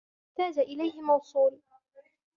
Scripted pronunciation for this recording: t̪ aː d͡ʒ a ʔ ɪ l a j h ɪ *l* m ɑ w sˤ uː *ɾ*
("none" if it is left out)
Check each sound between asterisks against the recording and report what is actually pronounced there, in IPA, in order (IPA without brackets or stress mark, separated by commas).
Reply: none, l